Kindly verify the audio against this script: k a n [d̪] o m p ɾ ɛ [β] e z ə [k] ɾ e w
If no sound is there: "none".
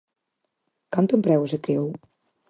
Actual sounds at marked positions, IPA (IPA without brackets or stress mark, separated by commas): t̪, w, k